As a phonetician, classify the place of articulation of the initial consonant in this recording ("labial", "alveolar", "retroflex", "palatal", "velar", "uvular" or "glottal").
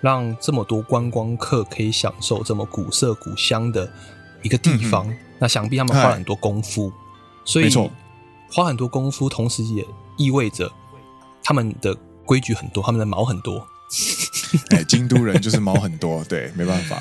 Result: retroflex